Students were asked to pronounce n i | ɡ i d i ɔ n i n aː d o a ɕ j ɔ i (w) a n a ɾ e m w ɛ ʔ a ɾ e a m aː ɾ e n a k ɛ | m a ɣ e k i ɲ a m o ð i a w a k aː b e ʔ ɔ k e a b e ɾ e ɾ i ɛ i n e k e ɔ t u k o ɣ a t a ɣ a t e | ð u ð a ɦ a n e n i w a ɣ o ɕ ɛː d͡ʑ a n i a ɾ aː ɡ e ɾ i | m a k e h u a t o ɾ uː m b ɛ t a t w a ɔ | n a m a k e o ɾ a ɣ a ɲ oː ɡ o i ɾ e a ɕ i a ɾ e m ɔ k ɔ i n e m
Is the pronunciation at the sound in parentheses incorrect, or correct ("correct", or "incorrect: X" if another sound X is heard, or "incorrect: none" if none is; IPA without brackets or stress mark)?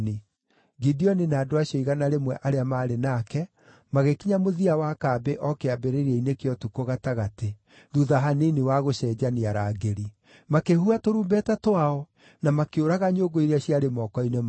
incorrect: ɣ